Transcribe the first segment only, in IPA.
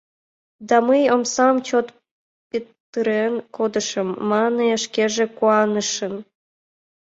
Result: d̪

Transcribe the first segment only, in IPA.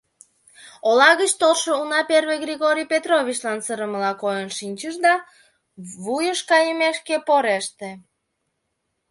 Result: o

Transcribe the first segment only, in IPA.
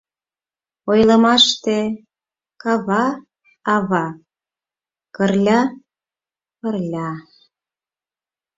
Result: o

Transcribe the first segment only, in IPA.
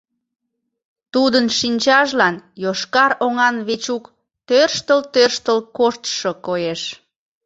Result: t̪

